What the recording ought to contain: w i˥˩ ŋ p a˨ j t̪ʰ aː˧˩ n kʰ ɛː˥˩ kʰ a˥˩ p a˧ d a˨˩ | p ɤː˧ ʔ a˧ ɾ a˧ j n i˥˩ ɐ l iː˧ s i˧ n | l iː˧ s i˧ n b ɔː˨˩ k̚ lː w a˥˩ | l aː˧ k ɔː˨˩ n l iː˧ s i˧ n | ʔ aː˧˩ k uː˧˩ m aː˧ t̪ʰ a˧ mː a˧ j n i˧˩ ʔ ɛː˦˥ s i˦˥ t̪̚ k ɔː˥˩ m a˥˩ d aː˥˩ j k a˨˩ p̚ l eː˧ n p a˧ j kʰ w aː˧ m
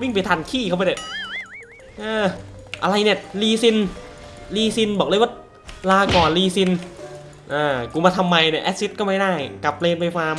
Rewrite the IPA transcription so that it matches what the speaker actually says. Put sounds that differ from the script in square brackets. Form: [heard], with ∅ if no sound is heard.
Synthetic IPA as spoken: w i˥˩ ŋ p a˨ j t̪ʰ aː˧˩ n kʰ [iː˥˩] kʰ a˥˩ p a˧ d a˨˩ | [ʔ] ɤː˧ ʔ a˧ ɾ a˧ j n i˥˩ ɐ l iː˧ s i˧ n | l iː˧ s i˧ n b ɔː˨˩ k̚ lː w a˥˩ | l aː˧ k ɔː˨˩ n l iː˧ s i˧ n | ʔ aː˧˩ k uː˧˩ m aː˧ t̪ʰ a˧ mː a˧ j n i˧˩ ʔ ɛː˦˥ s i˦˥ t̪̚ k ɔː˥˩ m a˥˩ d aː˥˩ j k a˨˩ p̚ l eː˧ n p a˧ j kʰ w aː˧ m